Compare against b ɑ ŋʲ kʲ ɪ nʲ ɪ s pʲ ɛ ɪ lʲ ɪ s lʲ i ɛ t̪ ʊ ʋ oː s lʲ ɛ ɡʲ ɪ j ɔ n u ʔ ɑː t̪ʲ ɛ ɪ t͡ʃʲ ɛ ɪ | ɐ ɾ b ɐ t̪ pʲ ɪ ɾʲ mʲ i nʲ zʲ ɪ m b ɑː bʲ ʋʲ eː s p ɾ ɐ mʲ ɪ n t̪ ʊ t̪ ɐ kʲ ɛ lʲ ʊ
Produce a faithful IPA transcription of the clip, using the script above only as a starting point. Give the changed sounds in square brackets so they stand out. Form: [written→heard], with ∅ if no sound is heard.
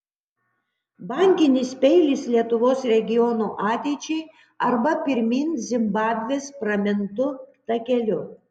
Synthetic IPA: b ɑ ŋʲ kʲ ɪ nʲ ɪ s pʲ ɛ ɪ lʲ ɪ s lʲ i ɛ t̪ ʊ ʋ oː s [lʲ→ɾʲ] ɛ ɡʲ ɪ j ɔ n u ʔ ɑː t̪ʲ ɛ ɪ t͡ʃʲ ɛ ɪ | ɐ ɾ b ɐ [t̪→∅] pʲ ɪ ɾʲ mʲ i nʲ zʲ ɪ m b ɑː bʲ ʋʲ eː s p ɾ ɐ mʲ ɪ n t̪ ʊ t̪ ɐ kʲ ɛ lʲ ʊ